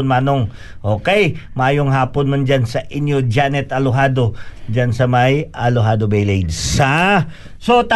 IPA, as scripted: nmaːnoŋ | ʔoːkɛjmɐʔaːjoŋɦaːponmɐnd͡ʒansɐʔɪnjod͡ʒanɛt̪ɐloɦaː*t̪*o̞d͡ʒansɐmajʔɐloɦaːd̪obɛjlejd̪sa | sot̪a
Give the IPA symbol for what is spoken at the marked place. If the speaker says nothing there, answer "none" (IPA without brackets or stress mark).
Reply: d̪